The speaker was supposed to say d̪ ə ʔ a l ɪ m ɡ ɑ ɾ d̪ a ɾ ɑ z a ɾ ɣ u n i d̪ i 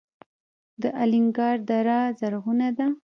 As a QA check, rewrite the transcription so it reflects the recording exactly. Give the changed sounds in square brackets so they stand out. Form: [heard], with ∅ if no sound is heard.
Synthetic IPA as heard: d̪ ə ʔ a l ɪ [ŋ] ɡ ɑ ɾ d̪ a ɾ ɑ z a ɾ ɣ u n [a] d̪ [a]

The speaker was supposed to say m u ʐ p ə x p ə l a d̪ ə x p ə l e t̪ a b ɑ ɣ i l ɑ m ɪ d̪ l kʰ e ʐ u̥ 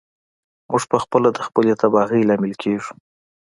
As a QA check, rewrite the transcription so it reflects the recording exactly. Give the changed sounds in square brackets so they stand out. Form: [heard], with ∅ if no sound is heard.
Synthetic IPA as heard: m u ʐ p ə x p ə l a d̪ ə x p ə l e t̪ a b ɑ ɣ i l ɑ m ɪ [∅] l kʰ e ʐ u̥

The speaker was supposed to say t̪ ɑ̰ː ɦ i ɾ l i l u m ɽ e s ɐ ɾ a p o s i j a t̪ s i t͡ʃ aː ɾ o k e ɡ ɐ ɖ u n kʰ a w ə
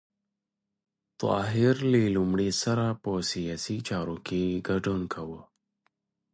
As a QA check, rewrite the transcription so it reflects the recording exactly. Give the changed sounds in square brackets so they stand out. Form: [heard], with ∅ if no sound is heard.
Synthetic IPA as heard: t̪ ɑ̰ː ɦ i ɾ l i l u m ɽ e s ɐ ɾ a p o s i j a [∅] s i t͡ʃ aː ɾ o k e ɡ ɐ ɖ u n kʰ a w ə

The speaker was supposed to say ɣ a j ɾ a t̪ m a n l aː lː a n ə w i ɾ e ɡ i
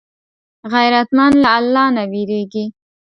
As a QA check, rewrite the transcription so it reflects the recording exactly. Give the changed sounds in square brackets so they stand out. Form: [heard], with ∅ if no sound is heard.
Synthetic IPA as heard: ɣ a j ɾ a t̪ m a n l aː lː [ɑ] n [a] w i ɾ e ɡ i

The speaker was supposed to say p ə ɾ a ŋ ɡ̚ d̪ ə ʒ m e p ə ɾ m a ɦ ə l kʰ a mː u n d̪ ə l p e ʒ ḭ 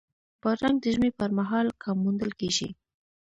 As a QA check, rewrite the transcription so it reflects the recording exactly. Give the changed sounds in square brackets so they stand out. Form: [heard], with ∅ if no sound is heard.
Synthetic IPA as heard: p ə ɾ a ŋ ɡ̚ d̪ ə ʒ m e p ə ɾ m a ɦ [ɑ] l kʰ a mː u n d̪ ə l [k] e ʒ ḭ

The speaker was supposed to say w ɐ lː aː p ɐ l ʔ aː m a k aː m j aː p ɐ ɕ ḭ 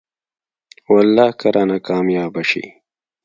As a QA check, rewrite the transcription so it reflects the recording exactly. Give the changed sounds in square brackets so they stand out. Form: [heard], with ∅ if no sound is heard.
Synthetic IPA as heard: w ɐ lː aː [k] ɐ [ɾ] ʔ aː [n] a k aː m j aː [b] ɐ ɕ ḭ

